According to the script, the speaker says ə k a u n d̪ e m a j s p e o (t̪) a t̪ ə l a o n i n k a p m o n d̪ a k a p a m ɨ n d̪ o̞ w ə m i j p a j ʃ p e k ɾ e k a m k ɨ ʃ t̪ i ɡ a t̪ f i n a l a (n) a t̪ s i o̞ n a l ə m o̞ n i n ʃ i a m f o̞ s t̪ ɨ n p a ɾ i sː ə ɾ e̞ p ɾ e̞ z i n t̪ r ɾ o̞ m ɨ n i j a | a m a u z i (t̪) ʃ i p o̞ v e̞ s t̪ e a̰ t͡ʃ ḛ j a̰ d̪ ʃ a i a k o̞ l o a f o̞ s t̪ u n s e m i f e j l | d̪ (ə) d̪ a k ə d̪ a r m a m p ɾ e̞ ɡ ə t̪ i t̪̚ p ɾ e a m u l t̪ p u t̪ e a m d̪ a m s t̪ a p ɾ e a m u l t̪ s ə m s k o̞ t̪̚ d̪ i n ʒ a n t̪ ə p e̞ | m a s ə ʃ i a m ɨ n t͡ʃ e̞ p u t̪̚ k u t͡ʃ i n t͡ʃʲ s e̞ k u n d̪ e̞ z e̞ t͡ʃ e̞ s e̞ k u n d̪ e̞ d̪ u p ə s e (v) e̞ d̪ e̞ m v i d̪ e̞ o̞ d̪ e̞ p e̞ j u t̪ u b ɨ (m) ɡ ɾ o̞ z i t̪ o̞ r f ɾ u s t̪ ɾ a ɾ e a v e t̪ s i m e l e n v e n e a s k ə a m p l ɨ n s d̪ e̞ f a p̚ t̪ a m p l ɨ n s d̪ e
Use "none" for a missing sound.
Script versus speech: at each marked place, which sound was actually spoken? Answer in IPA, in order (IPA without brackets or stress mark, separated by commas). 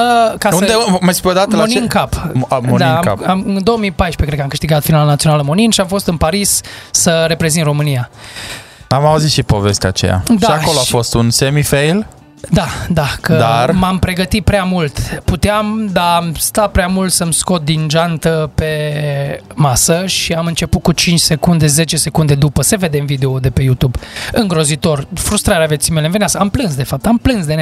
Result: d̪, n, t̪, a, v, ŋ